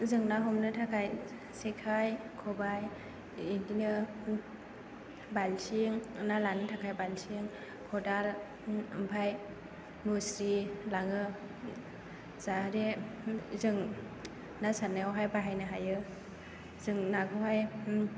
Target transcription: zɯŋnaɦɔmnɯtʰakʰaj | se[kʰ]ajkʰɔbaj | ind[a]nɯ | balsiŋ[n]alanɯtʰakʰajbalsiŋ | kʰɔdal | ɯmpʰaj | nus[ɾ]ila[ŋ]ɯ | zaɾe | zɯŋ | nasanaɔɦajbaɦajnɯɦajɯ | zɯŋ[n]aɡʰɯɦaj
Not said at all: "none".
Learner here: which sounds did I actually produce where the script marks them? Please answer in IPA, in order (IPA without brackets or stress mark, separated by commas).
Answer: kʰ, i, n, ɾ, ŋ, n